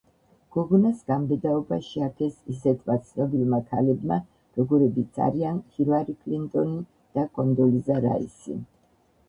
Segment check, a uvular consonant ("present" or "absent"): absent